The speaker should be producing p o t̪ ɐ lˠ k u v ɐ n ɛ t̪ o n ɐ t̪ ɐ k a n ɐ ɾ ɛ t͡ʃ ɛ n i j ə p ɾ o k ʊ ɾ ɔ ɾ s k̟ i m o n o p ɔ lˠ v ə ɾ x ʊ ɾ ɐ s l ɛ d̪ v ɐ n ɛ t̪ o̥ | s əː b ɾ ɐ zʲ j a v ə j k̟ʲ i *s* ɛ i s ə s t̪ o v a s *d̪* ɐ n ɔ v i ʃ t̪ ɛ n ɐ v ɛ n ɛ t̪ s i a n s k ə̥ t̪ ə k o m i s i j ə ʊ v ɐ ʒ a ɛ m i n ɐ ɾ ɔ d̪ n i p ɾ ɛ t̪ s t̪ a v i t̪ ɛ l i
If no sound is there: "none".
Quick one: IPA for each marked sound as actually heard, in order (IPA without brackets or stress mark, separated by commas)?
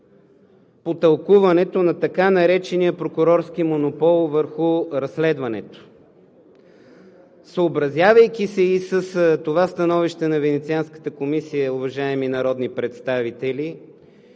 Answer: s, t̪